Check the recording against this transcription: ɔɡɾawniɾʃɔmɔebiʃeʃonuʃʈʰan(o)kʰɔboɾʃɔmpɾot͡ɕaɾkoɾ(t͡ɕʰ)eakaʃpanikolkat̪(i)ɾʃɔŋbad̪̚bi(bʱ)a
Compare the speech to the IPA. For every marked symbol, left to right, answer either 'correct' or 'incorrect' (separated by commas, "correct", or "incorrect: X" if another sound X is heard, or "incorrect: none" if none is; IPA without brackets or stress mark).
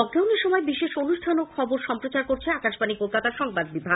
correct, correct, incorrect: a, correct